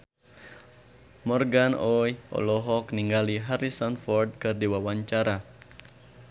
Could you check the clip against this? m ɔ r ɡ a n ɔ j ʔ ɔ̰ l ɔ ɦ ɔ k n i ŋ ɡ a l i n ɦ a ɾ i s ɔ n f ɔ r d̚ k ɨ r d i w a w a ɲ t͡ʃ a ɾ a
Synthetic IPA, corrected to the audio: m ɔ r ɡ a n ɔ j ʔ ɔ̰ l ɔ ɦ ɔ k n i ŋ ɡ a l i ɦ a ɾ i s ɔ n f ɔ r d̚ k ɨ r d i w a w a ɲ t͡ʃ a ɾ a